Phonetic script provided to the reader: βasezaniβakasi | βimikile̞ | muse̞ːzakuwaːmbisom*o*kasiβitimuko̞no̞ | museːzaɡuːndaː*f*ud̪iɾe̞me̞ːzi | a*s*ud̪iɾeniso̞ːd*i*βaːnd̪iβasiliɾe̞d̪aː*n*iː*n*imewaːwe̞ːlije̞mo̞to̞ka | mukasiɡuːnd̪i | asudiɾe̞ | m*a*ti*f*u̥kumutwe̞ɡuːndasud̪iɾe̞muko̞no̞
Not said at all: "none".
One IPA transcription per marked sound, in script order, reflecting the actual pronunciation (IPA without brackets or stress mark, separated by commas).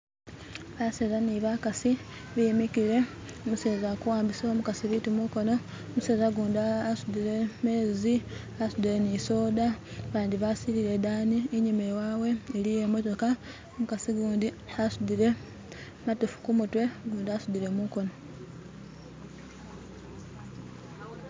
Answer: u, s, s, a, n, ɲ, a, f